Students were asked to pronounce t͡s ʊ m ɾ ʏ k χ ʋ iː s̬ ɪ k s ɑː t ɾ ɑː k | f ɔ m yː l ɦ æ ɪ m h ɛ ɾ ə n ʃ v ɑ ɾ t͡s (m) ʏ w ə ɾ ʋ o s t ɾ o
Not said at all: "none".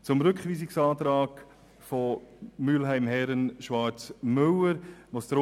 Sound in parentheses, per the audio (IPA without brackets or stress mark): m